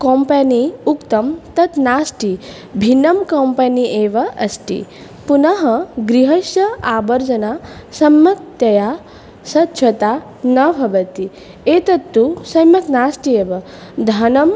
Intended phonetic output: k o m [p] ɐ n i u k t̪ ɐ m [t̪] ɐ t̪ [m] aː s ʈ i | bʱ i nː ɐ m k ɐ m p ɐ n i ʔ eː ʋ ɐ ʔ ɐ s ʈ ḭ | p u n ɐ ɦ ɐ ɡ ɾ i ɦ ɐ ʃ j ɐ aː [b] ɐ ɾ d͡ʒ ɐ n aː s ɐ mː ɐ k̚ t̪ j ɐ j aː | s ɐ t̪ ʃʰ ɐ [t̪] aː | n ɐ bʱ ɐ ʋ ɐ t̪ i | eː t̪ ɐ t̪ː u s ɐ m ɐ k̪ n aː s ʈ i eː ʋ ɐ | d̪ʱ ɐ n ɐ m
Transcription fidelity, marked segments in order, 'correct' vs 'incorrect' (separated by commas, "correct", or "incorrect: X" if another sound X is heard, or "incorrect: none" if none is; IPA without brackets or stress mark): correct, correct, incorrect: n, correct, correct